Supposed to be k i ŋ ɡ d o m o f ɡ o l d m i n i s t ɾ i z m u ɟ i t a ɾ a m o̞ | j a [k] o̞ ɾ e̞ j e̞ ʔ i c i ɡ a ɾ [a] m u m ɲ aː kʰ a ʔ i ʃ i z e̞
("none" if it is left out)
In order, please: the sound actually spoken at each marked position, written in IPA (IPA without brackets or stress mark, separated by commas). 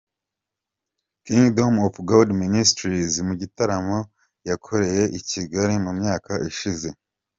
kʰ, i